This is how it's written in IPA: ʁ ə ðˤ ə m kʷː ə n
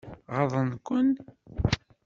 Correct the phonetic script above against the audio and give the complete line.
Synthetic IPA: ʁ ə ðˤ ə n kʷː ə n

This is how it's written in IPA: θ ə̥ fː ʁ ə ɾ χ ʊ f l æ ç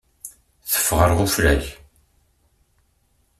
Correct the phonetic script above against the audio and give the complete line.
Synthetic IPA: θ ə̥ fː ʁ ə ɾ ʁ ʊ f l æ ç

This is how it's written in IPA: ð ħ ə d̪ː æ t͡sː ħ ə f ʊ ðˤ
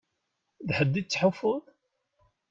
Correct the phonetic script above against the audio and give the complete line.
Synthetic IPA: ð ħ ə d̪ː i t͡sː ħ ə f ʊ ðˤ

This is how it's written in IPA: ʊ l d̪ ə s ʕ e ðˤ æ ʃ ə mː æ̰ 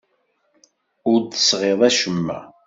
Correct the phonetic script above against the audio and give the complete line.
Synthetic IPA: ʊ ɾ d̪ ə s ʁ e ðˤ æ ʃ ə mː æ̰

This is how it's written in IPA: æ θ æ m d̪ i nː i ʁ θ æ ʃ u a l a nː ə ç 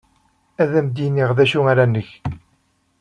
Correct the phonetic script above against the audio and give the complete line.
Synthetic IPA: æ ð æ m d̪ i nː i ʁ ð æ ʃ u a ɾ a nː ə ç

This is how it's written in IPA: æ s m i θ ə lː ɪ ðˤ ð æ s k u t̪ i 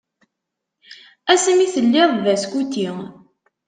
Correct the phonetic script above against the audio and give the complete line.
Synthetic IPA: æ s m i θ ə lː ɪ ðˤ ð æ s k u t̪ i

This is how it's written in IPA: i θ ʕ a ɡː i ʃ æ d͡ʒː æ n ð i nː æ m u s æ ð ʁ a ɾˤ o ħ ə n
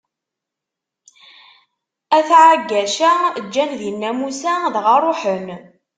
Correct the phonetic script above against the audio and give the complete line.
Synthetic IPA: æ θ ʕ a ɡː æ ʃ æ d͡ʒː æ n ð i nː æ m u s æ ð ʁ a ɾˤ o ħ ə n

